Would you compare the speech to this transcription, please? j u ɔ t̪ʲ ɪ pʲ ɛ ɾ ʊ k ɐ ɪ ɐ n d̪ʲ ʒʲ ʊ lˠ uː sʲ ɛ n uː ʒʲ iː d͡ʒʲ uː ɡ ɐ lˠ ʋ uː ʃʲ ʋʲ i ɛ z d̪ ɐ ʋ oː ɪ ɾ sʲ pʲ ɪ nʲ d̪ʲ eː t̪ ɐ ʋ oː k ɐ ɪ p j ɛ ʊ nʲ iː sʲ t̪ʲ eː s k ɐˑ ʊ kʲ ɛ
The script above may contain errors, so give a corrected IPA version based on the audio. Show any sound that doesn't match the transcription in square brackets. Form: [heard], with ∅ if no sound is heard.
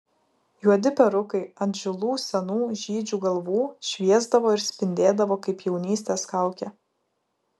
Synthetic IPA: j u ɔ [d̪ʲ] ɪ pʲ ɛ ɾ ʊ k ɐ ɪ ɐ n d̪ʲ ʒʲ ʊ lˠ uː sʲ ɛ n uː ʒʲ iː d͡ʒʲ uː ɡ ɐ lˠ ʋ uː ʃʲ ʋʲ i ɛ z d̪ ɐ ʋ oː ɪ ɾ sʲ pʲ ɪ nʲ d̪ʲ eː [d̪] ɐ ʋ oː k ɐ ɪ p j ɛ ʊ nʲ iː sʲ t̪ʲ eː s k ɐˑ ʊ kʲ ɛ